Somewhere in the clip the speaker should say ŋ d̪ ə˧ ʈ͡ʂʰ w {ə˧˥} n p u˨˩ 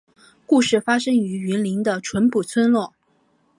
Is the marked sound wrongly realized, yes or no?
no